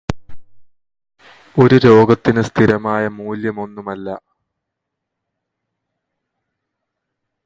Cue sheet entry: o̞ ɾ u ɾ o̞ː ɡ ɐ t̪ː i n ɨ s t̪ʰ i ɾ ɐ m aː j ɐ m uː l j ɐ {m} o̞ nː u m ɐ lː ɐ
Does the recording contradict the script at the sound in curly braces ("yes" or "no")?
no